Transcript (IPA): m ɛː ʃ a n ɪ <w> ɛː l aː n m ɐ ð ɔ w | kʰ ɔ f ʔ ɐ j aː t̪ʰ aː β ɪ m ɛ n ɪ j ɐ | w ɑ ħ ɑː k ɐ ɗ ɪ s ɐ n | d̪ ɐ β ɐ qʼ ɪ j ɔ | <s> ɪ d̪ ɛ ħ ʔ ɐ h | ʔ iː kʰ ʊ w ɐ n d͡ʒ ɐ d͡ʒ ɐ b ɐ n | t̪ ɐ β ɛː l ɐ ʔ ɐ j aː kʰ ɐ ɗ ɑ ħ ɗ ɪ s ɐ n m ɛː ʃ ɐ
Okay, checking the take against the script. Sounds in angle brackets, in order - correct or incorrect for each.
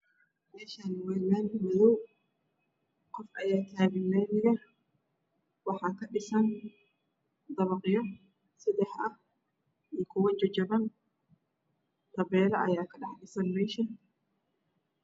correct, correct

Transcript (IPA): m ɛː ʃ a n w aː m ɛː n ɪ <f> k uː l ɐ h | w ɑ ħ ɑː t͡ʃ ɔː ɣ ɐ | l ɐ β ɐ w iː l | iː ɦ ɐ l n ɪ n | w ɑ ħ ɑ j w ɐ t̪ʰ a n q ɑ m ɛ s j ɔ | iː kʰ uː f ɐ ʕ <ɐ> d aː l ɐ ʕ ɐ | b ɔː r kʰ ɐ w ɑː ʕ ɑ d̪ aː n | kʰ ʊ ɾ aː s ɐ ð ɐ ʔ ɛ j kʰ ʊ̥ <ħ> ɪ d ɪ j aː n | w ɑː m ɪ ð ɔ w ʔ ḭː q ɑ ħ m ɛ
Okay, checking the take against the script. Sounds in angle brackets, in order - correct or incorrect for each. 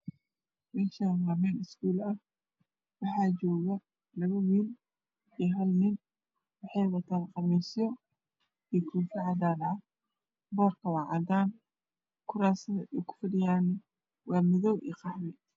incorrect: s, incorrect: ɑ, incorrect: f

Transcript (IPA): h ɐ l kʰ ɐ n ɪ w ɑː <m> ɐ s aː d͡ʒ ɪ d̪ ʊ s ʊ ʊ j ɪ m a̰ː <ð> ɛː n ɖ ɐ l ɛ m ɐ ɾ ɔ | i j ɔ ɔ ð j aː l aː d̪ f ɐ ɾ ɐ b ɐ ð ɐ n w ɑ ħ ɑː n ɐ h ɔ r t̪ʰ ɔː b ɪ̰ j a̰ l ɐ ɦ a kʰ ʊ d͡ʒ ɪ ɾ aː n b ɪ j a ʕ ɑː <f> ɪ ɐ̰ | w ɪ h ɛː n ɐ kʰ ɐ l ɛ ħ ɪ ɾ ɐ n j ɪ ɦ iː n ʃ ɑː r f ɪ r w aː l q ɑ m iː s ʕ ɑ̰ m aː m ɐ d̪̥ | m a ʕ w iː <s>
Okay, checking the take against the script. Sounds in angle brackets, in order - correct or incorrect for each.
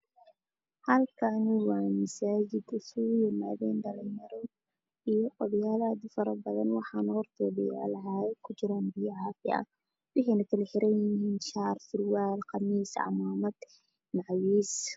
correct, correct, correct, correct

